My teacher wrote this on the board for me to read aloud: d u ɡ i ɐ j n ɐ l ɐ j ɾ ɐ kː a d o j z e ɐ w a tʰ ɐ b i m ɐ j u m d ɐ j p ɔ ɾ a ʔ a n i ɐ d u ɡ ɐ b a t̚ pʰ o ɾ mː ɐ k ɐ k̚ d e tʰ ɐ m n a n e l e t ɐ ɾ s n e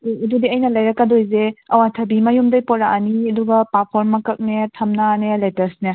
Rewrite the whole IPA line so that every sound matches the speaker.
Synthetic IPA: d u d i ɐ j n ɐ l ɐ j ɾ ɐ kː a d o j z e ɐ w a tʰ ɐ b i m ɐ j u m d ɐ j p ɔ ɾ a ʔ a n i ɐ d u ɡ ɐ p a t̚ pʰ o ɾ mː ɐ k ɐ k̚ n e tʰ ɐ m n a n e l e t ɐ ɾ s n e